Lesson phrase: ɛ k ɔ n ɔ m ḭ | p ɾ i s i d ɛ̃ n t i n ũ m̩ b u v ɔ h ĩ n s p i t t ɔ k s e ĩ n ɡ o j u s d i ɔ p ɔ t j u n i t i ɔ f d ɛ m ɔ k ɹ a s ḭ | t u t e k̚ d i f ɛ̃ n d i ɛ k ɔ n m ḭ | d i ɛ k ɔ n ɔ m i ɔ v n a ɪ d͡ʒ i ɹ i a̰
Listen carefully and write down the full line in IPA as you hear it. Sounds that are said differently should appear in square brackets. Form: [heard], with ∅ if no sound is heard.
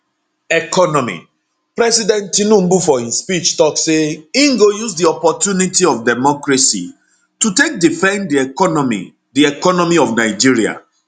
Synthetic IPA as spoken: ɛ k ɔ n ɔ m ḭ | p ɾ [ɛ] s i d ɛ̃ n t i n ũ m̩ b u [f] ɔ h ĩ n s p i [t͡ʃ] t ɔ k s e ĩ [ŋ] ɡ o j u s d i ɔ p ɔ t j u n i t i ɔ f d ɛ m ɔ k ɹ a s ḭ | t u t e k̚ d i f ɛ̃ n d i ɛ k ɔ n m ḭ | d i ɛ k ɔ n ɔ m i ɔ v n a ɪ d͡ʒ i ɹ i a̰